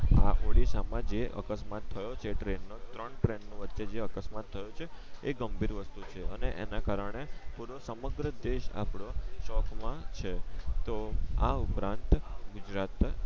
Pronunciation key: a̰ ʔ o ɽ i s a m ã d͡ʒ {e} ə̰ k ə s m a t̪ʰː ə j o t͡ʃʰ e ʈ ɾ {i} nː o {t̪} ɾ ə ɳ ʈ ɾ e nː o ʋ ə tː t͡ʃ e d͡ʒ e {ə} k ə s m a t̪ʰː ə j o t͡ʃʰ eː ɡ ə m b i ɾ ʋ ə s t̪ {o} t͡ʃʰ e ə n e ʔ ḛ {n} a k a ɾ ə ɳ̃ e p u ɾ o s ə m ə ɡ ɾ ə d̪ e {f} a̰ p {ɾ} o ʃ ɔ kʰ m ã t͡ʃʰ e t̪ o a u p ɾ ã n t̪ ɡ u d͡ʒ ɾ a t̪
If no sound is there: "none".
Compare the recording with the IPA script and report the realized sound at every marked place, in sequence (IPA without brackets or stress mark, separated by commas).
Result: e, e, t̪, ə, u, n, ʃ, ɽ